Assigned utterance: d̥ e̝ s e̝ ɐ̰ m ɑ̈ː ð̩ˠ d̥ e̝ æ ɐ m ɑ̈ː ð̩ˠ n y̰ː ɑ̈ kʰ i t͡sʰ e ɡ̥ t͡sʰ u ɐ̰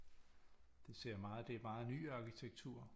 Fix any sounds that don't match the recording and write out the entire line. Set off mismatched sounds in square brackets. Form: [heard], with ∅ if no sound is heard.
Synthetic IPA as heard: d̥ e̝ s e̝ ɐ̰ m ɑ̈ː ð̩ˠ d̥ e̝ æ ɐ m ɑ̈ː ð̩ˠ n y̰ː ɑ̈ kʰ i t͡sʰ e ɡ̥ t͡sʰ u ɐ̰